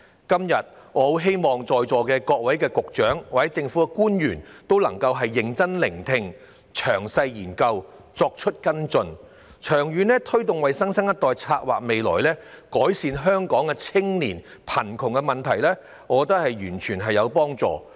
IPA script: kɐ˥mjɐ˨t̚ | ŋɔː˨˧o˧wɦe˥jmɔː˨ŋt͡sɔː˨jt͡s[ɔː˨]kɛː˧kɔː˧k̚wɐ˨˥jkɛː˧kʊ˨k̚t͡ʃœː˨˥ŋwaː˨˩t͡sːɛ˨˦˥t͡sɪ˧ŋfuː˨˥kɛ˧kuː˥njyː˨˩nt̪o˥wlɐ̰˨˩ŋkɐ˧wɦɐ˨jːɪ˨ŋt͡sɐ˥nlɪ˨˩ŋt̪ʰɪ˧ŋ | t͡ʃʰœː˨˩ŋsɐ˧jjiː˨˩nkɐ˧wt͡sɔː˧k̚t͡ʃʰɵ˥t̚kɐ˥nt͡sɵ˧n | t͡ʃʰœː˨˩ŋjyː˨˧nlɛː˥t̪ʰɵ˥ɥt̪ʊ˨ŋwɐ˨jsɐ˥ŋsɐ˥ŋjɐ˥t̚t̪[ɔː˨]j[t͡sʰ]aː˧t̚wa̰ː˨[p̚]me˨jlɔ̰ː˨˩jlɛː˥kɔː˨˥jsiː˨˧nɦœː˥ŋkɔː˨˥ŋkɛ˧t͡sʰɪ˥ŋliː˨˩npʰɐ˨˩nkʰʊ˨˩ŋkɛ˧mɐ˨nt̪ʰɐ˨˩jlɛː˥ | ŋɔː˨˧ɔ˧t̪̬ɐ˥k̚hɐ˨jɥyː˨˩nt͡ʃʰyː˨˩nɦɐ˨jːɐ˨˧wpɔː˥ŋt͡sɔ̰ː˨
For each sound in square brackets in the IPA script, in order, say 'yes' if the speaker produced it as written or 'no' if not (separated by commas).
yes, yes, yes, no